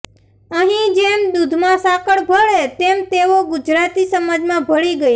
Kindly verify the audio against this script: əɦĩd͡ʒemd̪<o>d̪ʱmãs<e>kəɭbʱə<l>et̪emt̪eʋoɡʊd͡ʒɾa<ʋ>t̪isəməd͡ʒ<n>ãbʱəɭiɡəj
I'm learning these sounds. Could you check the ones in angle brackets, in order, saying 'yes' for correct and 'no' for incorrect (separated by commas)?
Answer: no, no, no, no, no